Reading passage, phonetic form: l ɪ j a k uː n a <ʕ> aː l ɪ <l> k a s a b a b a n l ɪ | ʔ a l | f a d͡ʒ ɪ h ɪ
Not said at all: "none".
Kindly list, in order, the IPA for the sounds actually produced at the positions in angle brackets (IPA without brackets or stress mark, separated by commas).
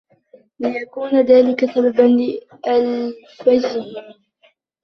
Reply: ð, none